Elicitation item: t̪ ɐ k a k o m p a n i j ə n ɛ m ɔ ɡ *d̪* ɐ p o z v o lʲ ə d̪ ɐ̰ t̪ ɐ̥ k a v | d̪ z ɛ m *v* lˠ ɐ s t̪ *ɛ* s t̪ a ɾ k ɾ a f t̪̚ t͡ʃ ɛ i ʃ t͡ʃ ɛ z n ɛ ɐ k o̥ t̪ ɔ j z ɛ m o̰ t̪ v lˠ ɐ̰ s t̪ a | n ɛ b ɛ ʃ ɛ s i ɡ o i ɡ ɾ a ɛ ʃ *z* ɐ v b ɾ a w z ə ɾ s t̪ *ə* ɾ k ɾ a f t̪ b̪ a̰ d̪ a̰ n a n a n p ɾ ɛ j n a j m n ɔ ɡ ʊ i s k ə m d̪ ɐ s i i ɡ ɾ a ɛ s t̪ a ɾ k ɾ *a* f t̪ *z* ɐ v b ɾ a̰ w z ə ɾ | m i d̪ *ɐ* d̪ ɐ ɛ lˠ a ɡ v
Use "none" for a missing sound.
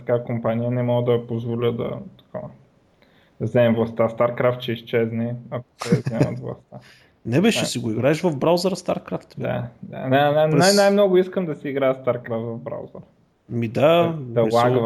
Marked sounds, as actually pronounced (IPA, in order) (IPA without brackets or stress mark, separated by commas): d̪, v, a, v, a, a, v, a